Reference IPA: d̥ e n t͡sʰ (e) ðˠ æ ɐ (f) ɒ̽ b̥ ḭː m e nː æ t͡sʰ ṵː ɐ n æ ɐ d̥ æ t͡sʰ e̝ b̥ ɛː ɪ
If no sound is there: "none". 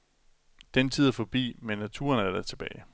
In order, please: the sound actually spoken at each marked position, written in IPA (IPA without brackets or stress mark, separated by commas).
i, f